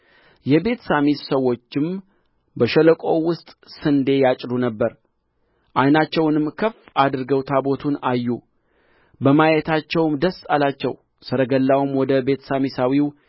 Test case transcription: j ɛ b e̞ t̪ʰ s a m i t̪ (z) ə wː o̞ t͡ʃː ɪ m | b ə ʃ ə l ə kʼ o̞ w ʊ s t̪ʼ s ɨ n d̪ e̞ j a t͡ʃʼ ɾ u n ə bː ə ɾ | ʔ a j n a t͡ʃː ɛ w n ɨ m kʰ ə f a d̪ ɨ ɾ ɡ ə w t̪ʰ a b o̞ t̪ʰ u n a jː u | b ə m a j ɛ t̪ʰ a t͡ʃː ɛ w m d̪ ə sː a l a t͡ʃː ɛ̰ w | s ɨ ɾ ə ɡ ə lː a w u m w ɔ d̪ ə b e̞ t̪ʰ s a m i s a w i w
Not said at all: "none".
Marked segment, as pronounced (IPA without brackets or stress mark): s